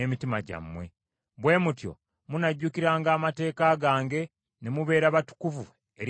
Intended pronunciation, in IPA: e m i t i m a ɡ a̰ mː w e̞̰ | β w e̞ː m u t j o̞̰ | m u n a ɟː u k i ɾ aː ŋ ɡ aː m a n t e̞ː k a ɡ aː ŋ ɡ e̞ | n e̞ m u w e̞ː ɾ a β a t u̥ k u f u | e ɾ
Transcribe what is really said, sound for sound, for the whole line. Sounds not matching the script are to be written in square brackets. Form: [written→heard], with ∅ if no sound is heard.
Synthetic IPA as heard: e m i t i m a [ɡ→ɟ] a̰ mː w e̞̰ | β w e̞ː m u t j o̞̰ | m u n a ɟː u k i ɾ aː ŋ ɡ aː m a [n→∅] t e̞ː k a ɡ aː ŋ ɡ e̞ | n e̞ m u [w→β] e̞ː ɾ a β a t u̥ k u [f→v] u | e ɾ